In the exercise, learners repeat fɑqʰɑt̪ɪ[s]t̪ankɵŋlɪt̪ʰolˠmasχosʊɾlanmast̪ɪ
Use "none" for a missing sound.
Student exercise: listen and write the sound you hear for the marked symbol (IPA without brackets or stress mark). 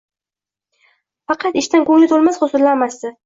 ʃ